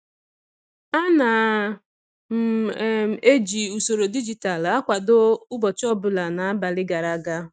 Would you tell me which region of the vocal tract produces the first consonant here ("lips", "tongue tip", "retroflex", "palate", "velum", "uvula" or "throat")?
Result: tongue tip